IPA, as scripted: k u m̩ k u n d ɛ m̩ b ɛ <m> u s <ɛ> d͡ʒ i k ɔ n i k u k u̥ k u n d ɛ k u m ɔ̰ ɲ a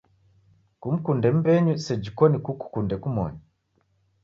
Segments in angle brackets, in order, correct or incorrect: incorrect, correct

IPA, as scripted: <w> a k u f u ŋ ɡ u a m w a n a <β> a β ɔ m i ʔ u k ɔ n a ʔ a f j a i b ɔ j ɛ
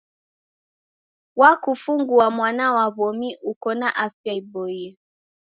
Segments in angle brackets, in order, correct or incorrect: correct, incorrect

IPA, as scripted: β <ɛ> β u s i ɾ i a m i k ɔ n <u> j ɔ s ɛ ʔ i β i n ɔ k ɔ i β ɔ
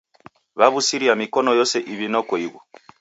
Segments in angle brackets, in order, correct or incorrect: incorrect, incorrect

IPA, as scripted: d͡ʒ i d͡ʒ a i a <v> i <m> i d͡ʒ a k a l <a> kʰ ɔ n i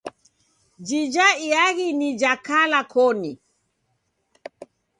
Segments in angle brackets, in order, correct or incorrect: incorrect, incorrect, correct

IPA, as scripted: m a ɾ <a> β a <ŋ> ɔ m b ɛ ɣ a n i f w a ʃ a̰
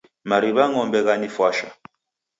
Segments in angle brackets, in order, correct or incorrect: incorrect, correct

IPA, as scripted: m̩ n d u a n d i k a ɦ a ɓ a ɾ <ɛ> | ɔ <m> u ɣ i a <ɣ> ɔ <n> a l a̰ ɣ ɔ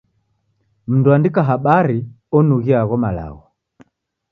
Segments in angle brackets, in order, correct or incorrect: incorrect, incorrect, correct, incorrect

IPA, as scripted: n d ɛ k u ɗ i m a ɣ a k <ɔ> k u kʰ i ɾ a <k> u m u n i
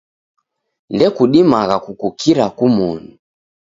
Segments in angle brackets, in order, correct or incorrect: incorrect, correct

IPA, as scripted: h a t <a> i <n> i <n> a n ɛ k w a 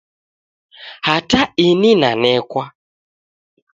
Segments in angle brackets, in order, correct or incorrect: correct, correct, correct

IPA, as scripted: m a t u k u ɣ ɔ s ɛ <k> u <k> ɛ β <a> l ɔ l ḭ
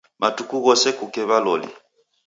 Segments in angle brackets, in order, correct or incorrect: correct, correct, correct

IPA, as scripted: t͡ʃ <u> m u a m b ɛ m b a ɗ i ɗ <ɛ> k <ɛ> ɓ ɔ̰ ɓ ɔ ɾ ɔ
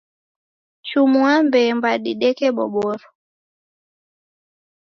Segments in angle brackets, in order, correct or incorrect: correct, correct, correct

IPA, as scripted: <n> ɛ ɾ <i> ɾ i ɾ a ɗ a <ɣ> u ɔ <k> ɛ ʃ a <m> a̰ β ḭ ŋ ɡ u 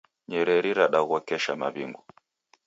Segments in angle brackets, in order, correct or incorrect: incorrect, incorrect, correct, correct, correct

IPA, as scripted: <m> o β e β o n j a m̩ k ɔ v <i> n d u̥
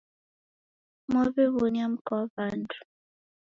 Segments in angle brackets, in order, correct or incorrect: correct, incorrect

